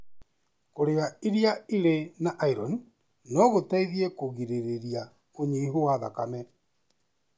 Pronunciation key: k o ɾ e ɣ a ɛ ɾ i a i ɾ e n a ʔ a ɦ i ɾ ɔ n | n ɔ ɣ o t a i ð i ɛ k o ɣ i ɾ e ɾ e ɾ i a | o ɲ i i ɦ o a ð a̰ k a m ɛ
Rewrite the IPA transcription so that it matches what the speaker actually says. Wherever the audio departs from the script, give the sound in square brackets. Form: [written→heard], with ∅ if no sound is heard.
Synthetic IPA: k o ɾ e ɣ a [ɛ→i] ɾ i a i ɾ e n a ʔ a [ɦ→∅] i ɾ ɔ n | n ɔ ɣ o t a i ð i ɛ k o ɣ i ɾ e ɾ e ɾ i a | o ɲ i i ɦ o a ð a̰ k a m ɛ